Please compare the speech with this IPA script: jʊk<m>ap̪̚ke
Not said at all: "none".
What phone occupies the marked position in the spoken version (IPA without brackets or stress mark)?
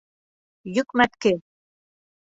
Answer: m